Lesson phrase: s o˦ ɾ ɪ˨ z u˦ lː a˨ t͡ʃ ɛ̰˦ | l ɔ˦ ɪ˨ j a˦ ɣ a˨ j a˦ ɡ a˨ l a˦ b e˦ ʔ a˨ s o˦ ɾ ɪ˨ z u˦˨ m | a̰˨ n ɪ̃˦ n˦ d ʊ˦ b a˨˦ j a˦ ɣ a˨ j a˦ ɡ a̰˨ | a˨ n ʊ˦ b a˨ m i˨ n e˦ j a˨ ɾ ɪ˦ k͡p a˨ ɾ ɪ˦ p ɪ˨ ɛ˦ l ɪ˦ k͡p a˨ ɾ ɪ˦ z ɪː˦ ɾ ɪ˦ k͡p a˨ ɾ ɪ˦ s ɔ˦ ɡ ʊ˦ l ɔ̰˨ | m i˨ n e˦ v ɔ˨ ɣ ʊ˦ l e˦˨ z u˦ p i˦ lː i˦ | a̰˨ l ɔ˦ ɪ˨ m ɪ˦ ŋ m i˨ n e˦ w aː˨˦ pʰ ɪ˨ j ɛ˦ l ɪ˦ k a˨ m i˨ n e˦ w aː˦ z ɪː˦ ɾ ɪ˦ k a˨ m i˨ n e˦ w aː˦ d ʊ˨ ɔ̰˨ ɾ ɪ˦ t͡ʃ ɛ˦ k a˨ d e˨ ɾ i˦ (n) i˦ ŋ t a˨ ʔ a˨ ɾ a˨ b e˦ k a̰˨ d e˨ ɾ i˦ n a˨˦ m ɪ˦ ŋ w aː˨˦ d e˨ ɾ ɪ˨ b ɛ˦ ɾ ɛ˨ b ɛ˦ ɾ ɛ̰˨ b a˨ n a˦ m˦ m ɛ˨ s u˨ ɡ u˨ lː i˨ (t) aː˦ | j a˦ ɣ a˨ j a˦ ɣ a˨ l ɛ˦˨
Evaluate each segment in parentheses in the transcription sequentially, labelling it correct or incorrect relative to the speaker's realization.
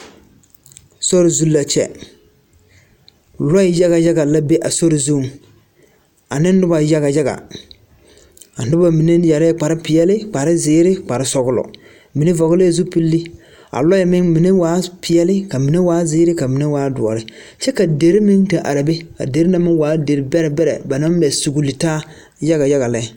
incorrect: m, correct

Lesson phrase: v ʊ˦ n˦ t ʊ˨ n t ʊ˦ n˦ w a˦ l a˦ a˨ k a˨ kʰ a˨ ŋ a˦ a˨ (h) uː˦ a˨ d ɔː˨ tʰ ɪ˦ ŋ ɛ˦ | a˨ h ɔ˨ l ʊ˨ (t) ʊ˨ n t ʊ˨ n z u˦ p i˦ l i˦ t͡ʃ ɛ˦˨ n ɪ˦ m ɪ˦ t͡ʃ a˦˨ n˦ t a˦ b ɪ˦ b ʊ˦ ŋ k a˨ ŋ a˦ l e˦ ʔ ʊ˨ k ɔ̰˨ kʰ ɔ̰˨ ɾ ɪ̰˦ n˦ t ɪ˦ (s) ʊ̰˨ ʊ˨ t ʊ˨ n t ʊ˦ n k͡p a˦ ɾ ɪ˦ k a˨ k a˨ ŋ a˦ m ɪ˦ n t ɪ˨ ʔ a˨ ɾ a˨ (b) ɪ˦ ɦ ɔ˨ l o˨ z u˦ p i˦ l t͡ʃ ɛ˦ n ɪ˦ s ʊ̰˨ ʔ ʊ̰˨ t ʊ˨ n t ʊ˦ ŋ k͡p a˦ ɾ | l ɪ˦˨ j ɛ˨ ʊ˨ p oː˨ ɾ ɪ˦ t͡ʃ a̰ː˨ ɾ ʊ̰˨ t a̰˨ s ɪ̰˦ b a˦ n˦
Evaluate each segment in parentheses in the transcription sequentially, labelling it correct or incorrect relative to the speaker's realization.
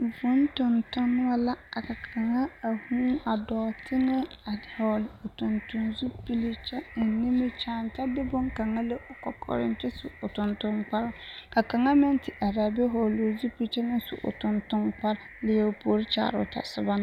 correct, correct, correct, correct

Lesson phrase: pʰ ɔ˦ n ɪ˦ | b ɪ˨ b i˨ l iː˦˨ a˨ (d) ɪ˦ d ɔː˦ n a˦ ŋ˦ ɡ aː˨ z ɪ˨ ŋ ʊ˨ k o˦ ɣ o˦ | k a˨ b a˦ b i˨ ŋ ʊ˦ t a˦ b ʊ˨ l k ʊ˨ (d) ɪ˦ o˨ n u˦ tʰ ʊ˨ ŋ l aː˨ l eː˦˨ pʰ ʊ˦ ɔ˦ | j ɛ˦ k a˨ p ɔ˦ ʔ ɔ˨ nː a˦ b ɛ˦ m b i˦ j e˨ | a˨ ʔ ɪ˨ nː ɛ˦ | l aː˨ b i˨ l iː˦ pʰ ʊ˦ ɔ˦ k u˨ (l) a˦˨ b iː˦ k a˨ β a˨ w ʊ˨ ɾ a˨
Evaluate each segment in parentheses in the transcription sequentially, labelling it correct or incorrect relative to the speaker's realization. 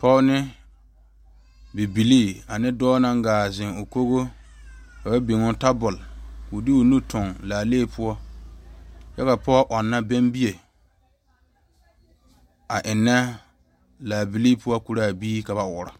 incorrect: n, correct, incorrect: ɾ

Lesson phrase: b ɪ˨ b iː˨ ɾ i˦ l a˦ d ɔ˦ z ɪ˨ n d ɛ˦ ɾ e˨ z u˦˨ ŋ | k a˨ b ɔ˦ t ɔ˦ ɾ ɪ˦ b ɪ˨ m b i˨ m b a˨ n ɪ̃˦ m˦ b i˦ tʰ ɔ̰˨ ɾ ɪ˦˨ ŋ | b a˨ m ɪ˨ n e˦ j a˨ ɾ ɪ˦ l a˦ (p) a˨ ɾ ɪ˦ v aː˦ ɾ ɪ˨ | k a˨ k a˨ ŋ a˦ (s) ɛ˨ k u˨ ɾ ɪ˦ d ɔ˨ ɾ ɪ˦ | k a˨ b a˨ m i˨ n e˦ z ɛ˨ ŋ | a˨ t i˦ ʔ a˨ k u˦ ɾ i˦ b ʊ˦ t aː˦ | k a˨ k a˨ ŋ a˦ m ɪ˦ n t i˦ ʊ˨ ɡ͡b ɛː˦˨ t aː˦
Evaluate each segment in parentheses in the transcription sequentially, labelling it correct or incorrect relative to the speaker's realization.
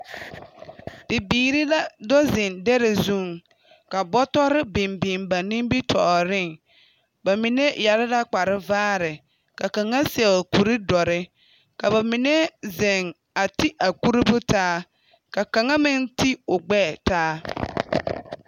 incorrect: k͡p, correct

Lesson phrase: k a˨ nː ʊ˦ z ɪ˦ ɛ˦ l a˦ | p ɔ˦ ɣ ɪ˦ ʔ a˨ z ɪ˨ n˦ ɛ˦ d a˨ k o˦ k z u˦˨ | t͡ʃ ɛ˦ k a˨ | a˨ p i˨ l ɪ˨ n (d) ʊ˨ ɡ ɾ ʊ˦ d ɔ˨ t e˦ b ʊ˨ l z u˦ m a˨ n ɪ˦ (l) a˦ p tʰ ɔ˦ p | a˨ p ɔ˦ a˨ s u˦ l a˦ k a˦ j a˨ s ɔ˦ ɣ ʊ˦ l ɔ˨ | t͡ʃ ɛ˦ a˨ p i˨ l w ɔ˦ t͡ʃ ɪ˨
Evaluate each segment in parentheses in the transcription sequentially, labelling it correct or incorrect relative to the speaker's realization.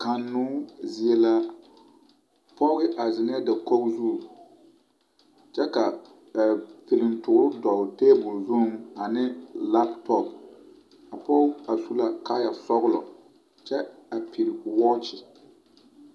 incorrect: t, correct

